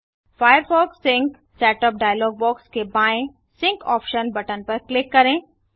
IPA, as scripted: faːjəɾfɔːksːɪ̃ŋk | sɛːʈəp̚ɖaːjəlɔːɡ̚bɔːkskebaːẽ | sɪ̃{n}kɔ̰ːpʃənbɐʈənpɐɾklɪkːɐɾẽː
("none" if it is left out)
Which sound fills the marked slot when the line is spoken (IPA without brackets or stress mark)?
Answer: ŋ